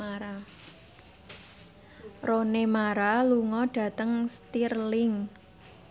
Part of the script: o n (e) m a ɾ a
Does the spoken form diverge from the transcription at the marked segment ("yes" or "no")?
no